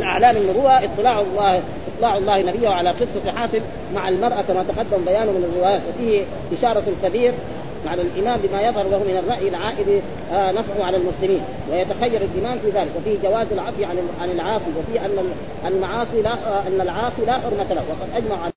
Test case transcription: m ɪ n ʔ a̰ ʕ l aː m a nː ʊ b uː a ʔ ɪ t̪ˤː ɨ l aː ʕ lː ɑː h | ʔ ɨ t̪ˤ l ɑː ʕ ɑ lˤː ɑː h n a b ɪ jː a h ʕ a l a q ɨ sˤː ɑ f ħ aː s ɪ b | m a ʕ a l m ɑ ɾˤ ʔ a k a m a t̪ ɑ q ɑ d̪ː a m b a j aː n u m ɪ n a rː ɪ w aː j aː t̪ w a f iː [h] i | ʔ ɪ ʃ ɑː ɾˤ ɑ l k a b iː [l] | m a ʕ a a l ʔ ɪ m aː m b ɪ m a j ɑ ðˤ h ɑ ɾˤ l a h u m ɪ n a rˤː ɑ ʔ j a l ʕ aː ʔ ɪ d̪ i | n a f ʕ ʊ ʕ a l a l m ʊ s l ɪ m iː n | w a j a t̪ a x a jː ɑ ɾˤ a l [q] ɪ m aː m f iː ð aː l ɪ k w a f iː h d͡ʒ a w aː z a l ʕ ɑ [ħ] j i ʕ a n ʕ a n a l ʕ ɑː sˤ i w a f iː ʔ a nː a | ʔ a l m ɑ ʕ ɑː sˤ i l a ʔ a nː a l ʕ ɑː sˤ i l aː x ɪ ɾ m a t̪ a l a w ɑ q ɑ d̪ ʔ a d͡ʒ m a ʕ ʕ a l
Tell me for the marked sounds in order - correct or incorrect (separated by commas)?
correct, incorrect, incorrect, incorrect